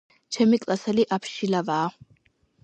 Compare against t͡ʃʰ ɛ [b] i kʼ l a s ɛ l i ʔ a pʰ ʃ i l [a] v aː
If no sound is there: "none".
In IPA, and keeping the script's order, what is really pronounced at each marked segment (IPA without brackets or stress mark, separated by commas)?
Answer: m, a